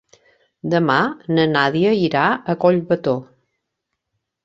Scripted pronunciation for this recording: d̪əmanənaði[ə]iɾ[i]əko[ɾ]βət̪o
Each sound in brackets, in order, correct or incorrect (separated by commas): correct, incorrect, incorrect